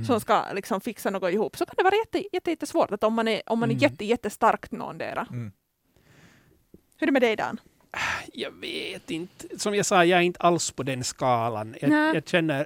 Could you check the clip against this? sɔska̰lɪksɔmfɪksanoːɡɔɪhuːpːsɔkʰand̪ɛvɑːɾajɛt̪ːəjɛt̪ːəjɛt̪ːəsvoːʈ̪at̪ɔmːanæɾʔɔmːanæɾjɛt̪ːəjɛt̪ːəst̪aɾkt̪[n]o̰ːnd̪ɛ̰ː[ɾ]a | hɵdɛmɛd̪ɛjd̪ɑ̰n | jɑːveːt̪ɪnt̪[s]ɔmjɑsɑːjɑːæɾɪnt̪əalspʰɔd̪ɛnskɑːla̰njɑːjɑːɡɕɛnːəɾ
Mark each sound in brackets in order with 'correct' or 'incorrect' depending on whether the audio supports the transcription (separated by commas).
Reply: correct, correct, correct